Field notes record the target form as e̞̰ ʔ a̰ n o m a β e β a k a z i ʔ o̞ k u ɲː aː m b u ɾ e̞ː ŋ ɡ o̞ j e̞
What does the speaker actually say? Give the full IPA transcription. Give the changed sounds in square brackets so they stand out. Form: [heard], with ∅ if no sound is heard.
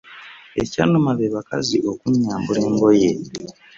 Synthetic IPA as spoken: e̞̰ [c] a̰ n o m a β e β a k a z i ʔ o̞ k u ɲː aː m b u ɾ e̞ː ŋ ɡ o̞ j e̞